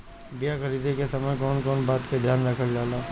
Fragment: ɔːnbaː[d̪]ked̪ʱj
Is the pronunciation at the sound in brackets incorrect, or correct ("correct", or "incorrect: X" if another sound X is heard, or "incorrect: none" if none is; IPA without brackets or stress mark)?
incorrect: t̪